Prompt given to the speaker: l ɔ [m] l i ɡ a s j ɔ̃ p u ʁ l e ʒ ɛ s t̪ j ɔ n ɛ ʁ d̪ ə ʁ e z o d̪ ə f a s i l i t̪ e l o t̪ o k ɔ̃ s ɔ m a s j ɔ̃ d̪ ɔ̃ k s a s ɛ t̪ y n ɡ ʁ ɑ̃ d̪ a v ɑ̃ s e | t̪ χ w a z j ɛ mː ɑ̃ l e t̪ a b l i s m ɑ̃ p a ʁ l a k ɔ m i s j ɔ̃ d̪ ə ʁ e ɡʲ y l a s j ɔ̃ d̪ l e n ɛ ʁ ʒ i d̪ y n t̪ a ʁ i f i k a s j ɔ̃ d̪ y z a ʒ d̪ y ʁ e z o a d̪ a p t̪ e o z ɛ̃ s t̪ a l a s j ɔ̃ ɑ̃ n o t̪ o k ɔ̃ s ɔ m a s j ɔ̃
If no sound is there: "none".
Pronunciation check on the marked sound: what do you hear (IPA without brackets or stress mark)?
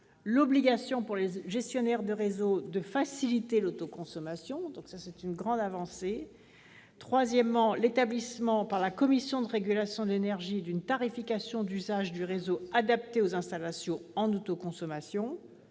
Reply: b